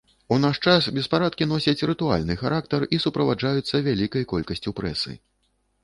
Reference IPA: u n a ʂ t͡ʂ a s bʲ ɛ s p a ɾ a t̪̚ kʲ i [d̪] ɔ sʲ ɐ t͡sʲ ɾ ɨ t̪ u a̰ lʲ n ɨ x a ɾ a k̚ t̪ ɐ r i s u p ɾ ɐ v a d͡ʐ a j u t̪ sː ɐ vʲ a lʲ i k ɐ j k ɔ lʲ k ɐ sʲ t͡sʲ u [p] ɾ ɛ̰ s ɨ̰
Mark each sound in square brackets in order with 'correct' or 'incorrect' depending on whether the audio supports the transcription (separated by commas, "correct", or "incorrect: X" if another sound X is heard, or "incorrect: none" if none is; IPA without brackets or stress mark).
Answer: incorrect: n̪, correct